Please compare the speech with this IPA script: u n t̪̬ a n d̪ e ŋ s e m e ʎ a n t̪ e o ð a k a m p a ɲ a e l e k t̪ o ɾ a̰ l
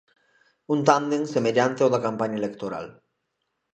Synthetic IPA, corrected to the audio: u n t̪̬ a n d̪ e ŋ s e m e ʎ a n t̪ e o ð a k a m p a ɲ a e l e k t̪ o ɾ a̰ l